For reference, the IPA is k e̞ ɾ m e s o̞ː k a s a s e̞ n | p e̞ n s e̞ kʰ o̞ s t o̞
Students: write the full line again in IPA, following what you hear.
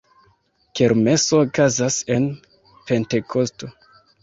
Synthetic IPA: k e̞ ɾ m e s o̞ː k a z a s e̞ n | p e̞ n t e̞ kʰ o̞ s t o̞